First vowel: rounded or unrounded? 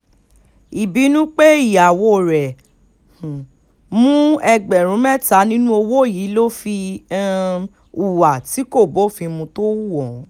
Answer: unrounded